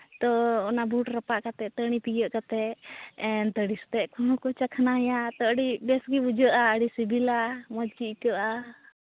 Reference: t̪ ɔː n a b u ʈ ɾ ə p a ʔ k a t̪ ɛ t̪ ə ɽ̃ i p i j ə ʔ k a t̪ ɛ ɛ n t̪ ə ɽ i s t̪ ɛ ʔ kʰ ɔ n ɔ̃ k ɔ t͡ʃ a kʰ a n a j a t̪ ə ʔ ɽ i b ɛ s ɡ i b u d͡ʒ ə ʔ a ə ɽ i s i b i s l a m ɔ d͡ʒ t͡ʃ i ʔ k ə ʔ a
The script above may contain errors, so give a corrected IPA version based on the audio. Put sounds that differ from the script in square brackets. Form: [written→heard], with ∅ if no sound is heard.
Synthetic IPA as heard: t̪ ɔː n a b u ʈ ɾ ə p a ʔ k a t̪ ɛ t̪ ə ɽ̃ i p i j ə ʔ k a t̪ ɛ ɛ n t̪ ə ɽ i s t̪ ɛ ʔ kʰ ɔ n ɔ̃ k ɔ t͡ʃ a kʰ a n a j a t̪ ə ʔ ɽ i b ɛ s ɡ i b u d͡ʒ ə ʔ a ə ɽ i s i b i [s→∅] l a m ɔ d͡ʒ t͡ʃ i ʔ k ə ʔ a